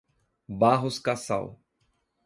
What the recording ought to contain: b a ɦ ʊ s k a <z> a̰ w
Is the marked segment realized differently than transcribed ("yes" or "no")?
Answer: yes